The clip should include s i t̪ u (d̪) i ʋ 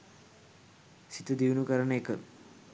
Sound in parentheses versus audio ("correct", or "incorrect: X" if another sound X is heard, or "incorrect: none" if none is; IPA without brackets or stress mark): correct